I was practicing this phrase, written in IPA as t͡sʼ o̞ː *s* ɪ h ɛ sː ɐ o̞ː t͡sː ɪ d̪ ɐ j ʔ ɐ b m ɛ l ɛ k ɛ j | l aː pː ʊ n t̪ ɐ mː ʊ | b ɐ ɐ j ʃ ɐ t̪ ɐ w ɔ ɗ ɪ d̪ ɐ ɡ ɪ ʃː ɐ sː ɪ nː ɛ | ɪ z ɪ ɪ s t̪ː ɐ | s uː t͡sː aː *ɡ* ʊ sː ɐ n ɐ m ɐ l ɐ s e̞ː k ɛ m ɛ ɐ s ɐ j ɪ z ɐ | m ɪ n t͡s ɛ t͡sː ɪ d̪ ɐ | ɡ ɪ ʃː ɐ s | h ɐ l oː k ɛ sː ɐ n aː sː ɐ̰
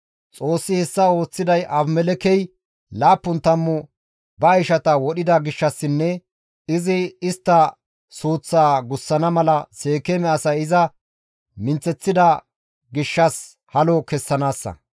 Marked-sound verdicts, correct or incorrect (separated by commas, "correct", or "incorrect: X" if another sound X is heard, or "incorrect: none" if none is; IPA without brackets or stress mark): incorrect: sː, correct